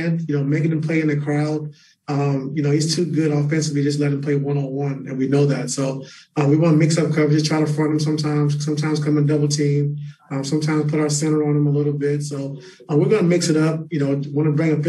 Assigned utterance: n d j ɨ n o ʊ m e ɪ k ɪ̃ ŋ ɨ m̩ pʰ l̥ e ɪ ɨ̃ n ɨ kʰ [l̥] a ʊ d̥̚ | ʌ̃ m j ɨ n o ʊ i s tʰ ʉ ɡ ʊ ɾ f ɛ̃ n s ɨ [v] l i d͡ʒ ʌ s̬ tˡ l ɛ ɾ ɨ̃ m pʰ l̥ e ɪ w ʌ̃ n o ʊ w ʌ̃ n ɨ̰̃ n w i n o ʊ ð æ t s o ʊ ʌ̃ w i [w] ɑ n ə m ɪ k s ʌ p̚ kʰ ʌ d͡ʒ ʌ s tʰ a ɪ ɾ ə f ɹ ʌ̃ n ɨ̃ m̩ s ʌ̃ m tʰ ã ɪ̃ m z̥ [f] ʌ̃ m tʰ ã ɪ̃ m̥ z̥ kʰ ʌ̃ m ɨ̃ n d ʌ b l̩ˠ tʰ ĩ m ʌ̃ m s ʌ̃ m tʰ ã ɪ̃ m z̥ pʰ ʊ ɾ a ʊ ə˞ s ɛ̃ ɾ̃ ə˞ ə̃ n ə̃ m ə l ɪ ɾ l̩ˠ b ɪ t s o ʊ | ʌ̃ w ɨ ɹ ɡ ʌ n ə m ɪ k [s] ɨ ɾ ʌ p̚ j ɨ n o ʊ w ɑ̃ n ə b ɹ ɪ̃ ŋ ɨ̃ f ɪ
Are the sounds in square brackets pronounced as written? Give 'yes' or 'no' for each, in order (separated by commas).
no, yes, yes, no, yes